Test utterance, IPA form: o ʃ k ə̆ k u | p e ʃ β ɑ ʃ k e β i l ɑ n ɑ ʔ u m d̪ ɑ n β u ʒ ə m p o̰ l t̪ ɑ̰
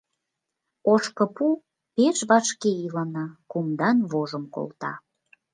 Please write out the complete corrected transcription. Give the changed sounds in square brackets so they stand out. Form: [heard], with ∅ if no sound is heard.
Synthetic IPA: o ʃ k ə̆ [p] u | p e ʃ β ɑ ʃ k e [∅] i l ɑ n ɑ [k] u m d̪ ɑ n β [o] ʒ ə m [k] o̰ l t̪ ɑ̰